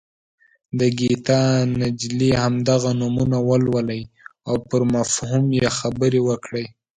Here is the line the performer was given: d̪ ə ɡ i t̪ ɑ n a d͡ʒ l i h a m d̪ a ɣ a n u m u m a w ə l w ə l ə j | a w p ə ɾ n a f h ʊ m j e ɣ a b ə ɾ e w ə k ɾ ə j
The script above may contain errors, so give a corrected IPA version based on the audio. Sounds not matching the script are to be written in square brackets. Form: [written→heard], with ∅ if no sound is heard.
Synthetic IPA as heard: d̪ ə ɡ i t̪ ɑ n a d͡ʒ l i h a m d̪ a ɣ a n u m u [m→n] a w ə l w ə l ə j | a w p ə ɾ [n→m] a f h [ʊ→u] m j e [ɣ→x] a b ə ɾ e w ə k [ɾ→ɽ] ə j